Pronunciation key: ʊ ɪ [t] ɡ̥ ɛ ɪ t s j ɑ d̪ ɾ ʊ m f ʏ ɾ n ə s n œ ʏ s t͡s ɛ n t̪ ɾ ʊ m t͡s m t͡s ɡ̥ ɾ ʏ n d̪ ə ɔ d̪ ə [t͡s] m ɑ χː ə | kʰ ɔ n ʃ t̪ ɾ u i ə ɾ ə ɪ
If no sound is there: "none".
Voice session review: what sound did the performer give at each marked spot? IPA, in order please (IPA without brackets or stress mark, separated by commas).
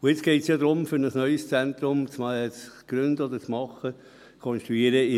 t͡s, t͡s